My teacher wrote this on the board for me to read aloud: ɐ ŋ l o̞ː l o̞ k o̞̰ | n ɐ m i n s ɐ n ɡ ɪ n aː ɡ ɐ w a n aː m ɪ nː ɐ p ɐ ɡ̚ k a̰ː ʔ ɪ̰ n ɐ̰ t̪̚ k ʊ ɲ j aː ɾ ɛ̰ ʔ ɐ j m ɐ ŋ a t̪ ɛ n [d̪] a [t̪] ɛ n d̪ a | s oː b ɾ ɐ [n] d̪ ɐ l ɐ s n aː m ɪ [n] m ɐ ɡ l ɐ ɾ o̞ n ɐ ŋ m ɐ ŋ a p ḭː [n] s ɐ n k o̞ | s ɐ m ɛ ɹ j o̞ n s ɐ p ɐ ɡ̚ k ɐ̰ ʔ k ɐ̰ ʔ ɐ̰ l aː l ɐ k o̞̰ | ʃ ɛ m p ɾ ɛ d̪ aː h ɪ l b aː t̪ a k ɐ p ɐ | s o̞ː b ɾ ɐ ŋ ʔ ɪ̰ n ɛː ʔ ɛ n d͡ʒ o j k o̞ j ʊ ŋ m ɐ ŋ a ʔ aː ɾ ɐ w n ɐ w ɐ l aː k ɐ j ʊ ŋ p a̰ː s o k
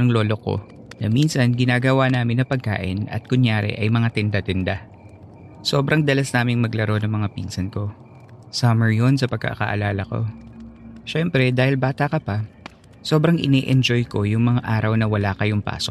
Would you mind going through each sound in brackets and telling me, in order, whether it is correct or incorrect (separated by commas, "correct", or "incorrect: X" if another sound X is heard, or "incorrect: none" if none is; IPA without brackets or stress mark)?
correct, correct, incorrect: ŋ, incorrect: ŋ, correct